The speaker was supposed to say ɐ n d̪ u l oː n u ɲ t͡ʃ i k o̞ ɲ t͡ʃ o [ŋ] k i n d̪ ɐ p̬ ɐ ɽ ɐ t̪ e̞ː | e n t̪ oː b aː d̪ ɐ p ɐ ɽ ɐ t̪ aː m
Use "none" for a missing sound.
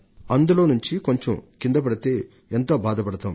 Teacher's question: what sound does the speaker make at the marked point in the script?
m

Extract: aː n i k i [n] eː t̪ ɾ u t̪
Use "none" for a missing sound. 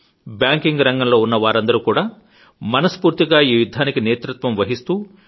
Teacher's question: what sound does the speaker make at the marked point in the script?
n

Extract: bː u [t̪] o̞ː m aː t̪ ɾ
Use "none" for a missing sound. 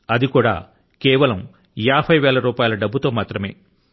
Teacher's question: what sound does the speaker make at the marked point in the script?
t̪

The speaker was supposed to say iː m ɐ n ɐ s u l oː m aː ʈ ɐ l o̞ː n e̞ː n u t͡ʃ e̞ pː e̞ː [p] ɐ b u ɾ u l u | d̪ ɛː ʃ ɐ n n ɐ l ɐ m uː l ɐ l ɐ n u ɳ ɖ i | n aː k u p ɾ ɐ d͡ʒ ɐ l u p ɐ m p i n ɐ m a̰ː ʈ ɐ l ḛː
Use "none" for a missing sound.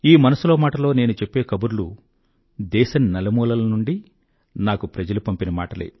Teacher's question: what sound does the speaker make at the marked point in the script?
k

